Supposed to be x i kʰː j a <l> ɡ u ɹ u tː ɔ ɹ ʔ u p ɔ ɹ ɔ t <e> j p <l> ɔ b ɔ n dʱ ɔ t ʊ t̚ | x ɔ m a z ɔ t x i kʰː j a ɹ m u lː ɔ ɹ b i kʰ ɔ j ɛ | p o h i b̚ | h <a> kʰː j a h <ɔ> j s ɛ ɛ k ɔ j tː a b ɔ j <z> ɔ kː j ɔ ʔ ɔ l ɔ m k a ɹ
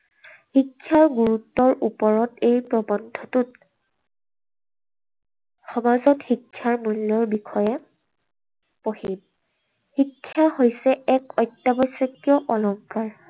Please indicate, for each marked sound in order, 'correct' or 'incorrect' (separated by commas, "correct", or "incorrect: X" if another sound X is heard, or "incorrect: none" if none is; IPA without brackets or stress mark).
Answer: incorrect: ɹ, correct, incorrect: ɹ, incorrect: i, incorrect: o, incorrect: s